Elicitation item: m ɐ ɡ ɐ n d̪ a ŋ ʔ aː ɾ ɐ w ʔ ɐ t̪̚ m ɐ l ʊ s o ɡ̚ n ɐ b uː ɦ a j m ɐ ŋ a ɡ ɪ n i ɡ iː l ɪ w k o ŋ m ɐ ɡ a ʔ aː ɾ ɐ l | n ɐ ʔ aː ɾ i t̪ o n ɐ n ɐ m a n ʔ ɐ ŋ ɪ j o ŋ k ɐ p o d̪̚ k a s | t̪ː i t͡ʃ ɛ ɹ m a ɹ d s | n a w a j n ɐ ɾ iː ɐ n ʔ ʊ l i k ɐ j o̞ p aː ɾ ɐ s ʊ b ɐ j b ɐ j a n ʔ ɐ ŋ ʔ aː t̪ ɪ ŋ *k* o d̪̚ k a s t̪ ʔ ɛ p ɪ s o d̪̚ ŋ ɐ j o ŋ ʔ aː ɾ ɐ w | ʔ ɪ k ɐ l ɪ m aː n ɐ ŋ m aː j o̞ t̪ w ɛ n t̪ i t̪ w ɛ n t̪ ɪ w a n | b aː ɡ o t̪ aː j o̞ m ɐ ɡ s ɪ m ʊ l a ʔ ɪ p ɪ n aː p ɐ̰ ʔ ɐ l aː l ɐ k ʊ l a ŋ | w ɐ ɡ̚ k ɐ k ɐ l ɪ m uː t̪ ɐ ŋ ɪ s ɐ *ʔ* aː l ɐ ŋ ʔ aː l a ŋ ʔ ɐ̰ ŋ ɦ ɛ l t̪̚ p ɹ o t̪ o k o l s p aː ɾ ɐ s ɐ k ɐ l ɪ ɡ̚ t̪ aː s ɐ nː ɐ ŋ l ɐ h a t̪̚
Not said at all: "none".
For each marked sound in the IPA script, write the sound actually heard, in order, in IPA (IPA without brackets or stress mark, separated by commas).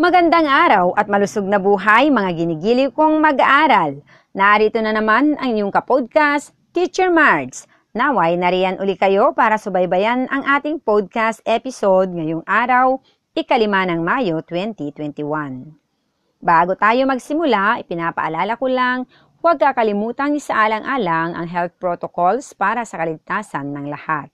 p, ʔ